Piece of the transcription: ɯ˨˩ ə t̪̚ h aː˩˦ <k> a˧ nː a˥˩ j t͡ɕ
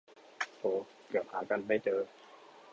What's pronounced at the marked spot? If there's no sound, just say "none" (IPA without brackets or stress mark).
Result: k